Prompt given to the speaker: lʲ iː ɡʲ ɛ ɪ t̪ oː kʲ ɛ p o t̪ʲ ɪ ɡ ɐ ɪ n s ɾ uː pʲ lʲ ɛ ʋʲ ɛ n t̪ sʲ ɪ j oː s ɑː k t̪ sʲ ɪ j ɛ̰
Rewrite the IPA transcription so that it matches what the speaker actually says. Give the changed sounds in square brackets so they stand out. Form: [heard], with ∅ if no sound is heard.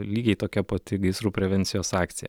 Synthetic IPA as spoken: lʲ iː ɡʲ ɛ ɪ t̪ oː kʲ ɛ p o t̪ʲ ɪ ɡ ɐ ɪ [∅] s ɾ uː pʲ [ɾʲ] ɛ ʋʲ ɛ n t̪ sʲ ɪ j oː s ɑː k t̪ sʲ ɪ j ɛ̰